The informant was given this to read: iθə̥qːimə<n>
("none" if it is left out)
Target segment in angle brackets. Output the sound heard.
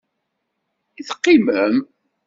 m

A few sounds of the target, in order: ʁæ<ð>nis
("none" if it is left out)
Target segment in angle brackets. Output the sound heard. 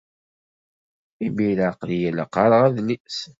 ð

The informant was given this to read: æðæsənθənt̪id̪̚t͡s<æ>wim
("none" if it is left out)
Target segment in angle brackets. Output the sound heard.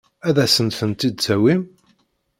æ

